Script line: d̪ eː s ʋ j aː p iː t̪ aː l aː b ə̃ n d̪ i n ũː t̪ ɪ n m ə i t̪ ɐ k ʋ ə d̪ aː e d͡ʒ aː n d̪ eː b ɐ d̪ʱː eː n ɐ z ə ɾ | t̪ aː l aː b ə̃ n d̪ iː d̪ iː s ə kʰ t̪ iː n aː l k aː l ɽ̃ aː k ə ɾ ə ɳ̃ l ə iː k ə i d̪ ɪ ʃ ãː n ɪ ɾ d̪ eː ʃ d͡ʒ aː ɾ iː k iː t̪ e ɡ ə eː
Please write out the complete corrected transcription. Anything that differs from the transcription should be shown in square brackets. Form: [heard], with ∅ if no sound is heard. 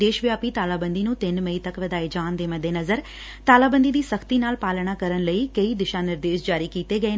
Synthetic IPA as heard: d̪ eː [ʃ] ʋ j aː p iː t̪ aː l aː b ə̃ n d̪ i n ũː t̪ ɪ n m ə i t̪ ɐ k ʋ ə d̪ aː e d͡ʒ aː n d̪ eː [m] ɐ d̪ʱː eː n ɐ z ə ɾ | t̪ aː l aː b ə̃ n d̪ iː d̪ iː s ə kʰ t̪ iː n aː l [p] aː l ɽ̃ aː k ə ɾ ə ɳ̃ l ə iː k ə i d̪ ɪ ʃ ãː n ɪ ɾ d̪ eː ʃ d͡ʒ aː ɾ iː k iː t̪ e ɡ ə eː